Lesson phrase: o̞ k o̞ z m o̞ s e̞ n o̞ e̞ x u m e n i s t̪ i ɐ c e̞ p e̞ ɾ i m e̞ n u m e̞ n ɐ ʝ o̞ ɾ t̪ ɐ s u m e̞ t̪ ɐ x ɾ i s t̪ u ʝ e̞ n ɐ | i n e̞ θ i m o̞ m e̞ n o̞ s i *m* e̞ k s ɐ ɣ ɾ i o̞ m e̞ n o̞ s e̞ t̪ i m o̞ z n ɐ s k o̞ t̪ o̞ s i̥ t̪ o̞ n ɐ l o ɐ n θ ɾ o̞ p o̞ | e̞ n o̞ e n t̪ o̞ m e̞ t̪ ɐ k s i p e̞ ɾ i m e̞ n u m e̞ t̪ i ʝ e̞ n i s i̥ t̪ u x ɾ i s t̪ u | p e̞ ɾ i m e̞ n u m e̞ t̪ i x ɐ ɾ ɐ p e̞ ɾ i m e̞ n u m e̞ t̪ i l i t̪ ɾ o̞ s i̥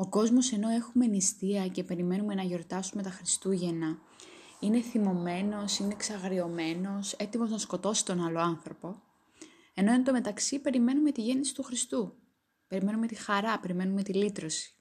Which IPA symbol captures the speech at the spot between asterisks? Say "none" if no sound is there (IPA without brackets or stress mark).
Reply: n